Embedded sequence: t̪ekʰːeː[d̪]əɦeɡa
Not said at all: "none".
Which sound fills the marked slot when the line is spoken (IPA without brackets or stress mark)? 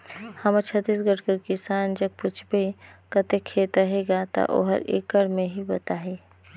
t̪